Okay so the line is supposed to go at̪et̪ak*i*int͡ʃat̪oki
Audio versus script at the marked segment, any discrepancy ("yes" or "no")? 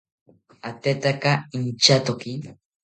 yes